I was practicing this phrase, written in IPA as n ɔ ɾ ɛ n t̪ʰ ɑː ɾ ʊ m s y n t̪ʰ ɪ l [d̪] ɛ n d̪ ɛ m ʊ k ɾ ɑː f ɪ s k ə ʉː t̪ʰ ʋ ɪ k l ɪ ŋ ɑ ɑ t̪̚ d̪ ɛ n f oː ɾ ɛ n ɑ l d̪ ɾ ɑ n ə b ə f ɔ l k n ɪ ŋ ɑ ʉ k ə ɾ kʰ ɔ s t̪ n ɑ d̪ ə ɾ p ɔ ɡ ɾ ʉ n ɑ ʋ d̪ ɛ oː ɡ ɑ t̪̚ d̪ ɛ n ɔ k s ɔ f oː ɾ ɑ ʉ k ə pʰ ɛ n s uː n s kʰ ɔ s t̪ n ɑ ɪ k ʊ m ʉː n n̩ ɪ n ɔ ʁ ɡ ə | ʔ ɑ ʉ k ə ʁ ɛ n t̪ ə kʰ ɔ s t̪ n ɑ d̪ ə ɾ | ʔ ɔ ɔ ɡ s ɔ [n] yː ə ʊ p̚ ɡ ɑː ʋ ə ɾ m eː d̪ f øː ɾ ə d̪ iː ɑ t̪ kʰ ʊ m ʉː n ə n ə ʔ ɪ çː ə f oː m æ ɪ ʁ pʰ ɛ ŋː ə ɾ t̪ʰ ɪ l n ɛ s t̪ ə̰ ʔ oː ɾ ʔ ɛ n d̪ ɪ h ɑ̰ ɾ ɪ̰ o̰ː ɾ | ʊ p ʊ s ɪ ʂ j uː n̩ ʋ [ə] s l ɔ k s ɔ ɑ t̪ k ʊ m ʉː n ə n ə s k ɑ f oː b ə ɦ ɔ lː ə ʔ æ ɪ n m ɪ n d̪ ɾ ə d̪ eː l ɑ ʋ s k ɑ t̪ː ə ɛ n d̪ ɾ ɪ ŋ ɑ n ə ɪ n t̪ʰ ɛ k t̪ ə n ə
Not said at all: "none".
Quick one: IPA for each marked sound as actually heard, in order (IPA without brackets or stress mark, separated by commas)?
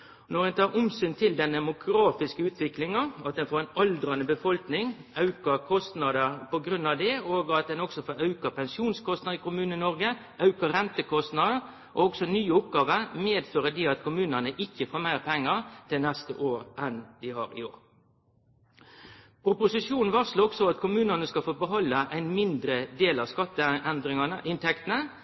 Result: d̪, n, ɑ